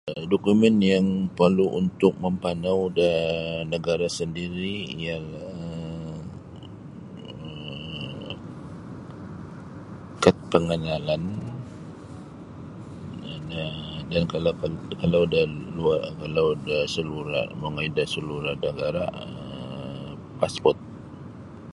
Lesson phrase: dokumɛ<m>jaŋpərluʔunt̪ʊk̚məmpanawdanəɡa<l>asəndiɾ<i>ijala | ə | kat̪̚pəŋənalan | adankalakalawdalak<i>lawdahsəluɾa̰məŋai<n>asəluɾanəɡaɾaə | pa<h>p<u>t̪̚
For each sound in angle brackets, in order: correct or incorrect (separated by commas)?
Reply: incorrect, incorrect, correct, incorrect, incorrect, incorrect, incorrect